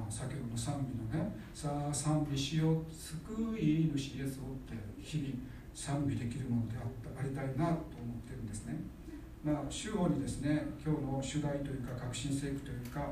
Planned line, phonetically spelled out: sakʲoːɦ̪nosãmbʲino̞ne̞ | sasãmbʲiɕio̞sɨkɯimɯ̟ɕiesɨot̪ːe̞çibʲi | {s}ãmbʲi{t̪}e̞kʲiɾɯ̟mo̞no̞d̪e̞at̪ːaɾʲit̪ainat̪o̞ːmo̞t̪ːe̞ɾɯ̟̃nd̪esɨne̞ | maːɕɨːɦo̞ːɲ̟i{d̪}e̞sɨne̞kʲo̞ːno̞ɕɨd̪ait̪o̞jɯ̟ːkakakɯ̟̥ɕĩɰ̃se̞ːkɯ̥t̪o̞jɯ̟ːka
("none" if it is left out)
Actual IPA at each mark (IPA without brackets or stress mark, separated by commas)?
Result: s, d̪, d̪